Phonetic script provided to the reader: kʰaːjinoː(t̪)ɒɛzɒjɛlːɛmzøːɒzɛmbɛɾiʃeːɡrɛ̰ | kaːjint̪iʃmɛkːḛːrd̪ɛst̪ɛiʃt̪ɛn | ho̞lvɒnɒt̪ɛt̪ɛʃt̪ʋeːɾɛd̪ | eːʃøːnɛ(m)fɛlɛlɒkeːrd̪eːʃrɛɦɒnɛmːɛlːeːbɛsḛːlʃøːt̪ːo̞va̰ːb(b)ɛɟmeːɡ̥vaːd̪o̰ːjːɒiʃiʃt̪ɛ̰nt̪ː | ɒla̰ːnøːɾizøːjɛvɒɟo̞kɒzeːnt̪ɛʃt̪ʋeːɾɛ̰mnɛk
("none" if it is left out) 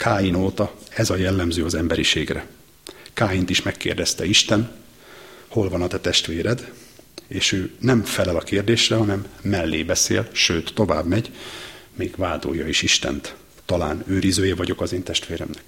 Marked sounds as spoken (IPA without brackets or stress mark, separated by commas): t̪, m, m